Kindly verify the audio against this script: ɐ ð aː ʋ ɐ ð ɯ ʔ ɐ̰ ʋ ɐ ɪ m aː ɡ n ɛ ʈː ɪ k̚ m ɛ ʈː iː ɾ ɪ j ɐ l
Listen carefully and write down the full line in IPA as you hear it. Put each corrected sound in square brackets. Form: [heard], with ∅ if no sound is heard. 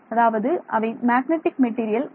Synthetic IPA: ɐ ð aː ʋ ɐ ð ɯ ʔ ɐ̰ ʋ ɐ ɪ m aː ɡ n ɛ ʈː ɪ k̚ m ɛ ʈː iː ɾ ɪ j ɐ l

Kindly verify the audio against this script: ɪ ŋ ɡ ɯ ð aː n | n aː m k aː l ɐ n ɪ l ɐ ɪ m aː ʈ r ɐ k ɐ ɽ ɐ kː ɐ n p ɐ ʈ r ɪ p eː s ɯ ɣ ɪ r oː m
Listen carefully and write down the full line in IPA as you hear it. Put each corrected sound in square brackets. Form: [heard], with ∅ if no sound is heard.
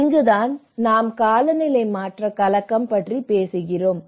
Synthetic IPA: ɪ ŋ ɡ ɯ ð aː n | n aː m k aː l ɐ n ɪ l ɐ ɪ m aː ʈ r ɐ k ɐ [l] ɐ kː ɐ [m] p ɐ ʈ r [i] p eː s ɯ ɣ ɪ r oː m

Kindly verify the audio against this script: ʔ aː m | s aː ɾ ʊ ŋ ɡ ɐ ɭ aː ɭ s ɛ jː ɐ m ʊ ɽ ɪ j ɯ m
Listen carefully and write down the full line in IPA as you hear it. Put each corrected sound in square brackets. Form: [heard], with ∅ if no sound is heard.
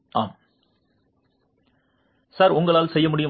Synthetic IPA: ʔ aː m | s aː ɾ ʊ ŋ ɡ ɐ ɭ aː [l] s ɛ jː ɐ m ʊ ɽ ɪ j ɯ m

